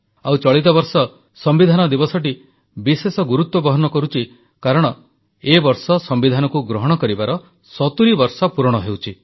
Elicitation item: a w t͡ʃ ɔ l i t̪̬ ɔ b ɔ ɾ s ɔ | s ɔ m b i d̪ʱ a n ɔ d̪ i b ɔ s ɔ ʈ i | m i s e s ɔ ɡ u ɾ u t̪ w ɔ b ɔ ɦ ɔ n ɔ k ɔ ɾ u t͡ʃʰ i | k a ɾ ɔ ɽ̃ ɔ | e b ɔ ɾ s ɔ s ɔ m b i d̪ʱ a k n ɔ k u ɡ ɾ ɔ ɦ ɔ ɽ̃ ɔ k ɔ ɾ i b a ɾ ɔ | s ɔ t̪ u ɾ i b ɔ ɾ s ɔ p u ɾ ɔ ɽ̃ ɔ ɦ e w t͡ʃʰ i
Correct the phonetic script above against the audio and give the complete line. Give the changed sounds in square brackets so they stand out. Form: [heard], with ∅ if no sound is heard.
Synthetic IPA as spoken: a w t͡ʃ ɔ [ɭ] i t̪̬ ɔ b ɔ ɾ s ɔ | s ɔ m b i d̪ʱ a n ɔ d̪ i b ɔ s ɔ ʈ i | [b] i s e s ɔ ɡ u ɾ u t̪ w ɔ b ɔ ɦ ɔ n ɔ k ɔ ɾ u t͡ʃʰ i | k a ɾ ɔ ɽ̃ ɔ | e b ɔ ɾ s ɔ s ɔ m b i d̪ʱ a [∅] n ɔ k u ɡ ɾ ɔ ɦ ɔ ɽ̃ ɔ k ɔ ɾ i b a ɾ ɔ | s ɔ t̪ u ɾ i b ɔ ɾ s ɔ p u ɾ ɔ ɽ̃ ɔ ɦ e w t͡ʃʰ i